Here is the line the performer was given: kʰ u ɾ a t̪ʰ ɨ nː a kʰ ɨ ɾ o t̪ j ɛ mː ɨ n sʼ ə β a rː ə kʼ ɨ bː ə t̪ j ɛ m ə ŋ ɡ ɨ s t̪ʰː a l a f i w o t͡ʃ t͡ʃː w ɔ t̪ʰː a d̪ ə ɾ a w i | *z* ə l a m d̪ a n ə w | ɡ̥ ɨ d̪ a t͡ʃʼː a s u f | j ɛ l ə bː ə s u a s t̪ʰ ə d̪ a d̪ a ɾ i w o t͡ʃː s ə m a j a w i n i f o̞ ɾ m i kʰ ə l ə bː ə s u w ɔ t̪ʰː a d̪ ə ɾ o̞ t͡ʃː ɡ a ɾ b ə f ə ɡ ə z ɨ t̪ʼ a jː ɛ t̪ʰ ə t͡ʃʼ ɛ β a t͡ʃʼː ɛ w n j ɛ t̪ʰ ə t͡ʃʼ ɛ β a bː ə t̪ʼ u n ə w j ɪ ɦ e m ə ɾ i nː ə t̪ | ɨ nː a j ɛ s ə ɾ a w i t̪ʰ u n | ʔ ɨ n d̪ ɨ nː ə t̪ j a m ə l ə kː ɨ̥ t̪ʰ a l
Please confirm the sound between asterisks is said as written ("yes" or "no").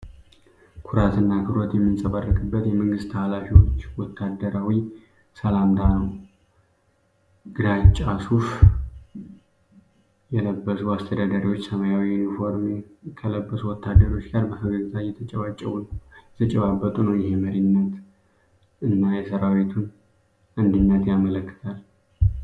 no